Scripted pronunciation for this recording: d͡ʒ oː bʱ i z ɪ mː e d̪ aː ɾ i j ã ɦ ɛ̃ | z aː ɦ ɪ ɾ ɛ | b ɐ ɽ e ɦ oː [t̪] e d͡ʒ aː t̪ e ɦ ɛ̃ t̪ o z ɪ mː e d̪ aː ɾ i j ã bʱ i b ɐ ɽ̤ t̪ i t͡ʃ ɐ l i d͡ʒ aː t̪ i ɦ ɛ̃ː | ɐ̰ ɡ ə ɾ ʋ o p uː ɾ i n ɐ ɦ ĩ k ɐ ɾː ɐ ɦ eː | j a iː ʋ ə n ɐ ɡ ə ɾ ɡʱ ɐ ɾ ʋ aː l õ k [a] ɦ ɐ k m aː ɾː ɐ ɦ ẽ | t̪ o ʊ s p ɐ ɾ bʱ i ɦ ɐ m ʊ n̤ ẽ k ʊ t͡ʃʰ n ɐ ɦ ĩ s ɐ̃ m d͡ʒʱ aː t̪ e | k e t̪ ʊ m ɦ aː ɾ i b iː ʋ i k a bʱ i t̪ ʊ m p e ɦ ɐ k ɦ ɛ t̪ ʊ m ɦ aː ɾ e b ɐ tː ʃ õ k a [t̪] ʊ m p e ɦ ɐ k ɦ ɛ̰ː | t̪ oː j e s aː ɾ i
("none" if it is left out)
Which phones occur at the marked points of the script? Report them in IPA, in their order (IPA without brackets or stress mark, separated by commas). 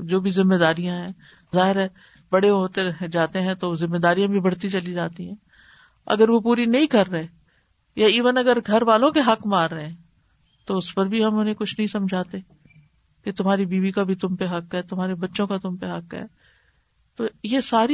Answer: t̪, e, t̪